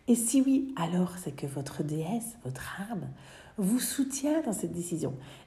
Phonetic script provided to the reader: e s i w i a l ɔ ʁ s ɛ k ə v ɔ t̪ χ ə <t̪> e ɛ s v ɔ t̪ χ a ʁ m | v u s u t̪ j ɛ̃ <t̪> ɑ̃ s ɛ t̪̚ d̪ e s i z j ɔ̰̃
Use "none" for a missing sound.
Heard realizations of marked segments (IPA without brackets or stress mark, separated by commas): d̪, d̪